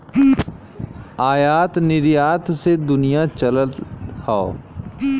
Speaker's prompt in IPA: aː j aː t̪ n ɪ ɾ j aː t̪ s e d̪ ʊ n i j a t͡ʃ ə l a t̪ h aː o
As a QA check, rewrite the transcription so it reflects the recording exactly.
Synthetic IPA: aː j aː t̪ n ɪ ɾ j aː t̪ s e d̪ ʊ n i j a t͡ʃ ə l ə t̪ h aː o